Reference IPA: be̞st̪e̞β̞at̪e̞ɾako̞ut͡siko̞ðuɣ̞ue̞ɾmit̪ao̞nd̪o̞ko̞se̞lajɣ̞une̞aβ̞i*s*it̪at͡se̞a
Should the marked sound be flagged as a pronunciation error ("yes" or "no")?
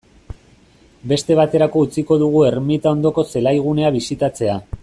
no